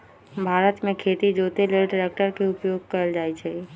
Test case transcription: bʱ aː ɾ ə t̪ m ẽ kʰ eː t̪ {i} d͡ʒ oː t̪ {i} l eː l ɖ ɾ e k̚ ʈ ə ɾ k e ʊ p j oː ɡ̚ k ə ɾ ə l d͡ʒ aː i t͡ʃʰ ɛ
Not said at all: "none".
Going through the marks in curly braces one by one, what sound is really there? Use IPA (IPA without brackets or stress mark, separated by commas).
i, e